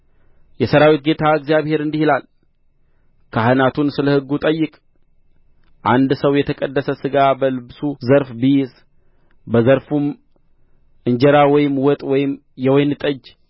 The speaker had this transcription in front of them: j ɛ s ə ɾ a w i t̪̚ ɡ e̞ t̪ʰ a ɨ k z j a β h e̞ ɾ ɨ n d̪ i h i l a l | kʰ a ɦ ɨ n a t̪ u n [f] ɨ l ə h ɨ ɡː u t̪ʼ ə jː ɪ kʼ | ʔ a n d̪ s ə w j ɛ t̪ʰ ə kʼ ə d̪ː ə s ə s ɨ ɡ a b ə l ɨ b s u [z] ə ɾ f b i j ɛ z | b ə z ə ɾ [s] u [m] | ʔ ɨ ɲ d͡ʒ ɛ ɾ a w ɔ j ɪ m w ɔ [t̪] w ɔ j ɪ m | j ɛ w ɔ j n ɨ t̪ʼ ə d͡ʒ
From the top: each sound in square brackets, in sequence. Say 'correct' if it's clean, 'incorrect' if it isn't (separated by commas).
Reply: incorrect, correct, incorrect, correct, incorrect